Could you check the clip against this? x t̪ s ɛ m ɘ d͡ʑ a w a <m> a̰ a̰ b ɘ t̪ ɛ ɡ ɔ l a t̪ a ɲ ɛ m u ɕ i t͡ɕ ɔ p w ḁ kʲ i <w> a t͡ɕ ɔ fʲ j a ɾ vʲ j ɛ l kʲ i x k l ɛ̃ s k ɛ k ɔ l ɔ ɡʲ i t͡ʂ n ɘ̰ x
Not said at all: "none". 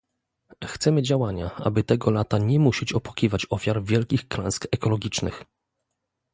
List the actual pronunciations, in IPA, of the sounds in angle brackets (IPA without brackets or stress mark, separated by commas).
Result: ɲ, v